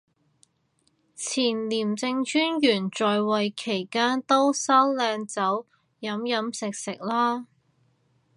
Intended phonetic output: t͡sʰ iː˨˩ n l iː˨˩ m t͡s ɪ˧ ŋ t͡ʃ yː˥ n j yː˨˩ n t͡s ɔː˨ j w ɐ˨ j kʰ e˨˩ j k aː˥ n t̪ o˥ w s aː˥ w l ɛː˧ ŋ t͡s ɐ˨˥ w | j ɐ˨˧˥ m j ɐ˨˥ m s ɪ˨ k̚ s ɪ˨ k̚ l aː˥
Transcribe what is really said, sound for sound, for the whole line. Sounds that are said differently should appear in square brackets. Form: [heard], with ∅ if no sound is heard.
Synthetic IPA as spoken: t͡sʰ iː˨˩ n l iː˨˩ m t͡s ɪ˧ ŋ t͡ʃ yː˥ n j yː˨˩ n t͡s ɔː˨ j w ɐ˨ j kʰ e˨˩ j k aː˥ n t̪ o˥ w s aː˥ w l ɛː˧ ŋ t͡s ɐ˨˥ w | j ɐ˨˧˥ m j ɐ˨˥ m s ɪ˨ k̚ s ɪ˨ k̚ l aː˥